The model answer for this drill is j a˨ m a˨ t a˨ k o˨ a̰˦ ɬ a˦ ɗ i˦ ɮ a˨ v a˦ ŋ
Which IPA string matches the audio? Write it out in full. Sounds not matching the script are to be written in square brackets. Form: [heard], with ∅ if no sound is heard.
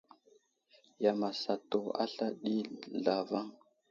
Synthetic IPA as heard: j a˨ m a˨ [s] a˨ [t] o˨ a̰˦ ɬ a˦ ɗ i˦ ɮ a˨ v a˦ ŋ